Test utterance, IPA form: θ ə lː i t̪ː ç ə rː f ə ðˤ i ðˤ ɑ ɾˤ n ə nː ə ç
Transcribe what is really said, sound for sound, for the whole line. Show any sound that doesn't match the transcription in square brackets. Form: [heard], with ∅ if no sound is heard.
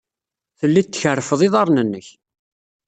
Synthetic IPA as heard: θ ə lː i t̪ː ç ə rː f ə ðˤ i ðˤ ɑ ɾˤ n ə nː ə ç